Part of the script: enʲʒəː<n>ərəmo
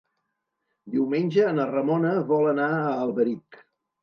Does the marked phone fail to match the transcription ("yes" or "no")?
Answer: no